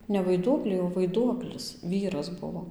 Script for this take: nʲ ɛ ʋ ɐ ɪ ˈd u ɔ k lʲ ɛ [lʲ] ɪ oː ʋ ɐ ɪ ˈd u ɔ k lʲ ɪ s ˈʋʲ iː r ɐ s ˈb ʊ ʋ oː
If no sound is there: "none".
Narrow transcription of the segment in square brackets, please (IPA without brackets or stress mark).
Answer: none